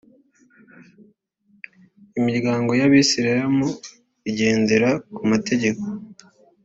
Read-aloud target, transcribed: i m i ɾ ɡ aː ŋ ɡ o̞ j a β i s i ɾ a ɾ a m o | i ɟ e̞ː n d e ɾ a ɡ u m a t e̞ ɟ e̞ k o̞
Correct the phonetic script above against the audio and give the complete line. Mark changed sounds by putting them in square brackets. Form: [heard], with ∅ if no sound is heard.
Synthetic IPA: i m i ɾ ɡ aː ŋ ɡ o̞ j a β i s i ɾ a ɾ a m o | i ɟ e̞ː n d e ɾ a [k] u m a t e̞ ɟ e̞ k o̞